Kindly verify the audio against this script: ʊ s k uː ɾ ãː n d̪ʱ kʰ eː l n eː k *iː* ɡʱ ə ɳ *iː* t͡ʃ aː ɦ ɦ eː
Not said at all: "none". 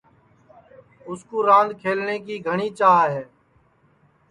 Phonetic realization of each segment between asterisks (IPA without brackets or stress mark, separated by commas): iː, iː